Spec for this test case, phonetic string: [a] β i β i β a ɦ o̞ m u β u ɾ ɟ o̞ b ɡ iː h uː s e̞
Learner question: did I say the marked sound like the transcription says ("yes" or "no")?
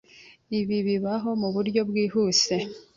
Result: no